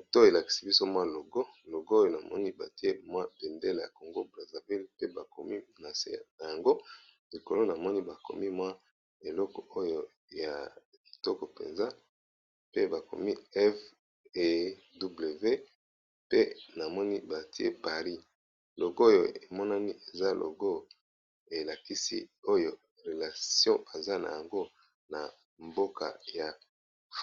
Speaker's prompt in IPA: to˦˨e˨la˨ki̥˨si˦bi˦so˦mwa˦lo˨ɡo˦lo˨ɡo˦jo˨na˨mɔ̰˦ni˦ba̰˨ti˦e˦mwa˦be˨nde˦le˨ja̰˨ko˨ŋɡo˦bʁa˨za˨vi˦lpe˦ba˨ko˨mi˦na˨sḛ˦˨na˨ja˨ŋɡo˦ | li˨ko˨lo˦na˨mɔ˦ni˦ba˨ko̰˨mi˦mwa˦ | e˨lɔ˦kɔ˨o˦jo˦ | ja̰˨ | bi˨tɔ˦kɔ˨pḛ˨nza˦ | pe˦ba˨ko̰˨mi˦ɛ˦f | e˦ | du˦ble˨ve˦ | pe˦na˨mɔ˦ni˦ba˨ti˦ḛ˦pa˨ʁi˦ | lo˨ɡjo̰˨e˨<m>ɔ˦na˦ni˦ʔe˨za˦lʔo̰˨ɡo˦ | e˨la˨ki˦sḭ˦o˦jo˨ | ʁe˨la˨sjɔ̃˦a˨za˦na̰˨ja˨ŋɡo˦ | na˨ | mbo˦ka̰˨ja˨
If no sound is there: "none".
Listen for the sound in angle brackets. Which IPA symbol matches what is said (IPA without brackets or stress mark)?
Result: m